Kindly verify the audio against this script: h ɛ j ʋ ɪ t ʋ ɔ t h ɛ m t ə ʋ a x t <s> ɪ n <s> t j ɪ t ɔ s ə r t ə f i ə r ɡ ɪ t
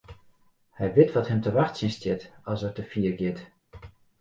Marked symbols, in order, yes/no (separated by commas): yes, yes